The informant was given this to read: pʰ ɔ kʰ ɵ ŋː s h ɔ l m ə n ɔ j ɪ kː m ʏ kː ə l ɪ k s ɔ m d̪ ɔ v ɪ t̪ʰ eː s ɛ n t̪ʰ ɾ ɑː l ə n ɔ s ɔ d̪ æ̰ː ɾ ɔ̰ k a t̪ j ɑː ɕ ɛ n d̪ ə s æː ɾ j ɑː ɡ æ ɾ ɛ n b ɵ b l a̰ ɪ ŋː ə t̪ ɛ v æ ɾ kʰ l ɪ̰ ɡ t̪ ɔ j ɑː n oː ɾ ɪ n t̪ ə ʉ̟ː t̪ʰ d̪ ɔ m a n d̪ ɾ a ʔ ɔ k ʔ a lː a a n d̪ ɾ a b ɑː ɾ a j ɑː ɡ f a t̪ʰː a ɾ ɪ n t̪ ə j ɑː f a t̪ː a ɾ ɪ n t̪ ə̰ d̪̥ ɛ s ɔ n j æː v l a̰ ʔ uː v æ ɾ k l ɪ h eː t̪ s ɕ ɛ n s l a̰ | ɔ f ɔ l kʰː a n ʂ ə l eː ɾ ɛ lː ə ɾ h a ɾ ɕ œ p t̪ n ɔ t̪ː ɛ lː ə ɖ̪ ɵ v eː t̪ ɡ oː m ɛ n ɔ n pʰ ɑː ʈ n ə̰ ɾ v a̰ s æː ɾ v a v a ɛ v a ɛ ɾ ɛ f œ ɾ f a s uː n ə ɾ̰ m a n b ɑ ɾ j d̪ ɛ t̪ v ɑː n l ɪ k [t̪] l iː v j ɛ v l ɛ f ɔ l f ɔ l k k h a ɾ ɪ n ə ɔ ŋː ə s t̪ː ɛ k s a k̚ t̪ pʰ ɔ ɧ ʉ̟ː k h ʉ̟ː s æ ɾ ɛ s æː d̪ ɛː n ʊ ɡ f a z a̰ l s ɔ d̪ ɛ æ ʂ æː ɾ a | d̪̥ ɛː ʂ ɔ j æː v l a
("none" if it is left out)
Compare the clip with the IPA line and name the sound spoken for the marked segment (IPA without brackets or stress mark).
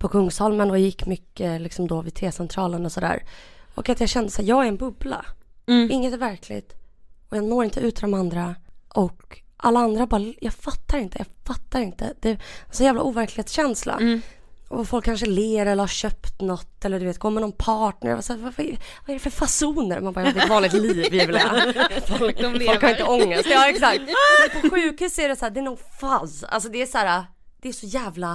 t̪